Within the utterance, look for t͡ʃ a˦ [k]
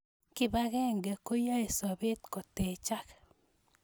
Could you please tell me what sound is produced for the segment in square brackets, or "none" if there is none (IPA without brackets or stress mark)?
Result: k